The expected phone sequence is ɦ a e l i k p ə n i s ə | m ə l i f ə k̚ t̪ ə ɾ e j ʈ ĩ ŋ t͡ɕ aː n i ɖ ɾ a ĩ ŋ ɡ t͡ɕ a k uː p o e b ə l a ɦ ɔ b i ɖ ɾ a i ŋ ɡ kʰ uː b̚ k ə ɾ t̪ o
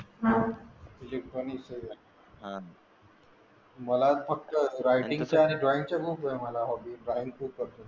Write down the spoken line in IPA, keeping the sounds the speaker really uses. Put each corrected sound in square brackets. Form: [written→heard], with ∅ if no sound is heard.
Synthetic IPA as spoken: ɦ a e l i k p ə n i s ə | m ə l [i→a] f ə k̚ t̪ ə ɾ [e→a] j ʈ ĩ ŋ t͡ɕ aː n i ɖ ɾ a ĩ ŋ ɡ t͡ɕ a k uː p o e [b→m] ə l a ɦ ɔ b i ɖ ɾ a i ŋ ɡ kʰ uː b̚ k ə ɾ t̪ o